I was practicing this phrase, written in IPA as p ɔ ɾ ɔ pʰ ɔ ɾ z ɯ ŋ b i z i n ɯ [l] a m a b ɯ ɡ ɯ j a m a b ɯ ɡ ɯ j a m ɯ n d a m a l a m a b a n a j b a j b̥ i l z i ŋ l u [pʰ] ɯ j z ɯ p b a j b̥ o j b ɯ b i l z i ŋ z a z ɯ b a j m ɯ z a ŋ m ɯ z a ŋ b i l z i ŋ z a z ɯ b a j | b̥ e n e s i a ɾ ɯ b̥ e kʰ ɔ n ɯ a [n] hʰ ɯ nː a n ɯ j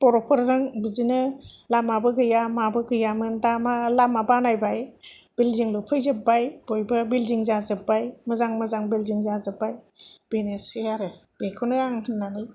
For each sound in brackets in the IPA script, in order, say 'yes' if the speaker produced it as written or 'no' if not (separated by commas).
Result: yes, yes, no